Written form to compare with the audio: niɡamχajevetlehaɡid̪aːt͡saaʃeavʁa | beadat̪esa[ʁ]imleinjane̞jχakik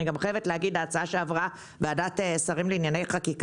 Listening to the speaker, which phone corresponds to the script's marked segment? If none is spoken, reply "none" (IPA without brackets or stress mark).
ʁ